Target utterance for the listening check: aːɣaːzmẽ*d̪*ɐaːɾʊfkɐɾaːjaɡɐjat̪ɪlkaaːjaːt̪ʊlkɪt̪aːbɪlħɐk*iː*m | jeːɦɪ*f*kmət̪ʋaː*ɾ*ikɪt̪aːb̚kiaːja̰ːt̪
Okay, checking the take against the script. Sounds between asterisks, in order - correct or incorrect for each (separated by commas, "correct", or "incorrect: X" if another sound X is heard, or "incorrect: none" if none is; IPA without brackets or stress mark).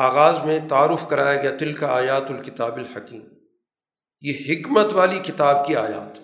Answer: incorrect: t̪, correct, incorrect: none, incorrect: l